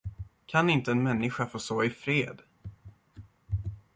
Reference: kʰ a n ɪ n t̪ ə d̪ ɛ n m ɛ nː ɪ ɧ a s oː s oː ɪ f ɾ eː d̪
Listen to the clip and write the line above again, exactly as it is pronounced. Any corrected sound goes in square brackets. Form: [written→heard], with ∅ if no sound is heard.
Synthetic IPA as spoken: kʰ a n ɪ n t̪ ə [d̪→∅] ɛ n m ɛ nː ɪ ɧ a [s→f] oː s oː ɪ f ɾ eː d̪